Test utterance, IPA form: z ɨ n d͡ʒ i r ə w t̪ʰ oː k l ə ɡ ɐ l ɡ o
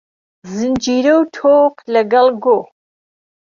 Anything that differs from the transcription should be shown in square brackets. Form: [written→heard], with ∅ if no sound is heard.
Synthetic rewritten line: z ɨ n d͡ʒ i [r→ɾ] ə w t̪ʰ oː [k→q] l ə ɡ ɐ l ɡ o